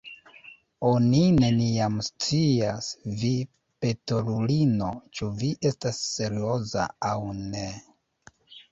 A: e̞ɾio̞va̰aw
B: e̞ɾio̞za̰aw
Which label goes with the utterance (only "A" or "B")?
B